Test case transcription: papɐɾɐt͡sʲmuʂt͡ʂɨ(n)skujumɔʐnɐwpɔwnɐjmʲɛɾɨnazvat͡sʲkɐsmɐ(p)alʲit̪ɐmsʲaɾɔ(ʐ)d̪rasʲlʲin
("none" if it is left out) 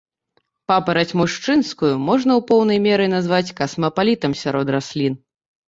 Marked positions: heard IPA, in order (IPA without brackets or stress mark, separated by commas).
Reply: n, p, none